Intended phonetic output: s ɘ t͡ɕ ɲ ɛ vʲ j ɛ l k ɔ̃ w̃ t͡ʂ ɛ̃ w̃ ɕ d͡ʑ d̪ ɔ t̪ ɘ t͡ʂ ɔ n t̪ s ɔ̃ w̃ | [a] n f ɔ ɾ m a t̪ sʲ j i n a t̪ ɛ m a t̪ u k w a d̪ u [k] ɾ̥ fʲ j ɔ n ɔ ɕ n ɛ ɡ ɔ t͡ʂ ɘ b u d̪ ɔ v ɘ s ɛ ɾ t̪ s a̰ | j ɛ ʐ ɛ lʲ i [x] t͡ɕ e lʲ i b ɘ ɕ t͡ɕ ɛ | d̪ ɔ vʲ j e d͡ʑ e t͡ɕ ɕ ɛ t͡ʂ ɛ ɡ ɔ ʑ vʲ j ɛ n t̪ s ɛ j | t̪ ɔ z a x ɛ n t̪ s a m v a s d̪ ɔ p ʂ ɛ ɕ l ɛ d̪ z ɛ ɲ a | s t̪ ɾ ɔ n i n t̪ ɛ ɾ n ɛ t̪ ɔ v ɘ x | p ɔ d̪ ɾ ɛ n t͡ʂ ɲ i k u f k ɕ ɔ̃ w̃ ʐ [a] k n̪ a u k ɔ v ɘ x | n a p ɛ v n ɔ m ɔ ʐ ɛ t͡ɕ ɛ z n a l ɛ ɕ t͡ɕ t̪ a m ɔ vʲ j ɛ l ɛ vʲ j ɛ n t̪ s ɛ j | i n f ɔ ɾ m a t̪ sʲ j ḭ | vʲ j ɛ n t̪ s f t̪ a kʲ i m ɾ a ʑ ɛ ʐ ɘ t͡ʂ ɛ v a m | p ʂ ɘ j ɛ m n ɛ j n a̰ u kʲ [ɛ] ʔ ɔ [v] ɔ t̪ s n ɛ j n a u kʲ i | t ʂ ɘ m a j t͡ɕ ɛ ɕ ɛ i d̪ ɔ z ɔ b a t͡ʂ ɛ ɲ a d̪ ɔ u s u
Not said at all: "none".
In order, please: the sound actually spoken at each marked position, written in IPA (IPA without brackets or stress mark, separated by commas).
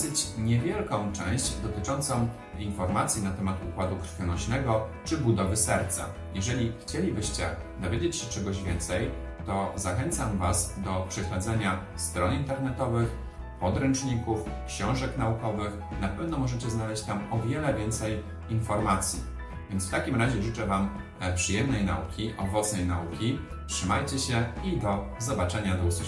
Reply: i, k, x, ɛ, i, v